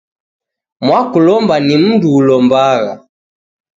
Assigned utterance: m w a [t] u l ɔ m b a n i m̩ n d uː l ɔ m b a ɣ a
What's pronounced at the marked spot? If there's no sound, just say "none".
k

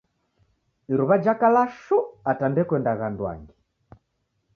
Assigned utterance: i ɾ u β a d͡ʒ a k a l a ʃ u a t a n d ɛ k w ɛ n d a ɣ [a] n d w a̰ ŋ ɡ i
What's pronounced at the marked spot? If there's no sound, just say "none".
a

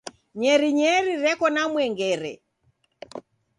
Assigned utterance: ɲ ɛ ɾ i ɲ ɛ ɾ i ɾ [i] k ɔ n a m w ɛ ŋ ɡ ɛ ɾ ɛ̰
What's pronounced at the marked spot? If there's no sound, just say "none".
ɛ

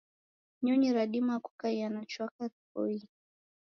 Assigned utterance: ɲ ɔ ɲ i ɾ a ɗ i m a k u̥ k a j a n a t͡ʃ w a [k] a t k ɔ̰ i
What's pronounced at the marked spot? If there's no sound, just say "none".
k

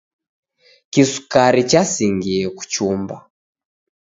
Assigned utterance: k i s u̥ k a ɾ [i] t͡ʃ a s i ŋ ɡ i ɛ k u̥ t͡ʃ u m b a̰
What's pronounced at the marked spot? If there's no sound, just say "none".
i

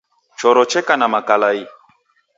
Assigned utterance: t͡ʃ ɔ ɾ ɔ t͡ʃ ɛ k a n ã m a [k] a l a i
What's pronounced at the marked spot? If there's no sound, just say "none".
k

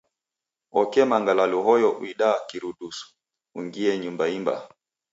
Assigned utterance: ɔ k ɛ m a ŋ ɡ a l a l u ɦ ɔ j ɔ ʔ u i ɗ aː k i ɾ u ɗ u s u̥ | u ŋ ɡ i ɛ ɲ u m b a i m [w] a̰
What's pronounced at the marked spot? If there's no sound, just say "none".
b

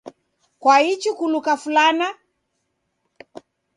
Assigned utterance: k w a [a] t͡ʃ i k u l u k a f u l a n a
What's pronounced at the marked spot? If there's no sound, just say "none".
i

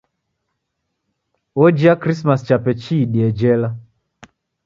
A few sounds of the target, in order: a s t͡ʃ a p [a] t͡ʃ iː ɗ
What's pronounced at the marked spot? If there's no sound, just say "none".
ɛ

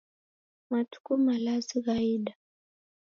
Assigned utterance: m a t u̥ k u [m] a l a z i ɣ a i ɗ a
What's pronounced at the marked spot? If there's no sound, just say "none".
m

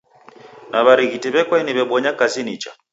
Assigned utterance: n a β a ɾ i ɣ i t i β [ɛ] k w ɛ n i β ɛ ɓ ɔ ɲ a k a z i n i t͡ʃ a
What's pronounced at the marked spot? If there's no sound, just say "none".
ɛ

